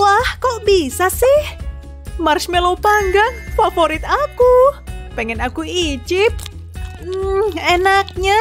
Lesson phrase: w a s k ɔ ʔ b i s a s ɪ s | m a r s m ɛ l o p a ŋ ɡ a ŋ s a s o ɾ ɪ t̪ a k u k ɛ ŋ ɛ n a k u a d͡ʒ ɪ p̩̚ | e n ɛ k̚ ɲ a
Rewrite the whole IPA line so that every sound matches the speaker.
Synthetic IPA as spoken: w a h k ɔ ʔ b i s a s ɪ h | m a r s m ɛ l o p a ŋ ɡ a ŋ f a f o ɾ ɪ t̪ a k u p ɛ ŋ ɛ n a k u i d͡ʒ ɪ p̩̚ | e n a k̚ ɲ a